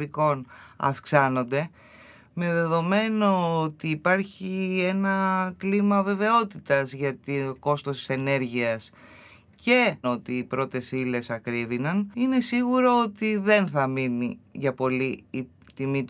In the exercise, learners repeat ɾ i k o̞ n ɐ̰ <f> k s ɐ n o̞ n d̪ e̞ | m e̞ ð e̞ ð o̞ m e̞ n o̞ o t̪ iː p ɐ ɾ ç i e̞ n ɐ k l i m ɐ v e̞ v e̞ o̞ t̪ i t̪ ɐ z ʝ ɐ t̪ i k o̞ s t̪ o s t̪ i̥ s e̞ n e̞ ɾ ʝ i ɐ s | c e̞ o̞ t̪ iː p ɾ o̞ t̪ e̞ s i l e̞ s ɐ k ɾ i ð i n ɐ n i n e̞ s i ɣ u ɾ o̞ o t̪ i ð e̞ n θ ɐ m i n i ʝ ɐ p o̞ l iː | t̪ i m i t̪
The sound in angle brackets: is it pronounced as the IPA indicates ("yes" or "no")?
yes